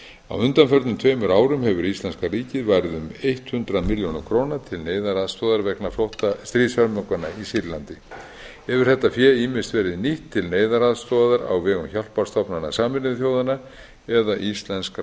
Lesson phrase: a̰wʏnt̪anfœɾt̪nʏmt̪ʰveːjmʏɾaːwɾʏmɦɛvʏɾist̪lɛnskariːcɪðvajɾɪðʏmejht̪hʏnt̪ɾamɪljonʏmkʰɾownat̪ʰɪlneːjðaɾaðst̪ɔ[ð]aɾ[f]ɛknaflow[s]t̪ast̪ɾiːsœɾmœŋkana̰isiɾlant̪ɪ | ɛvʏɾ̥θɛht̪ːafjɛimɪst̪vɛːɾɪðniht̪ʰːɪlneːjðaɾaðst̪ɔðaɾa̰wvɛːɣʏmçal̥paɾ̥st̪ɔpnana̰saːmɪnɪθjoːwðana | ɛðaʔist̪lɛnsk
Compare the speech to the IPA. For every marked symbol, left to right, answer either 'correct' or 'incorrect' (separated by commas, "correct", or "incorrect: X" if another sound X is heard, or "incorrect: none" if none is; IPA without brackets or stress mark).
correct, incorrect: v, incorrect: h